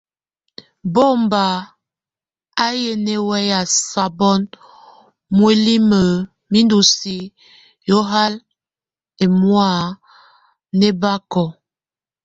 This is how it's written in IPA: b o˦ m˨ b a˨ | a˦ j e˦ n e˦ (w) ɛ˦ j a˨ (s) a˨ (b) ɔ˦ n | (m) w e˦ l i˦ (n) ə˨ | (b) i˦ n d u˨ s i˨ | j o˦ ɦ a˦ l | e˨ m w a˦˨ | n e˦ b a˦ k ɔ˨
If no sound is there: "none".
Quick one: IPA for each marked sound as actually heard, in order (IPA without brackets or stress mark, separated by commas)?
w, s, b, m, m, m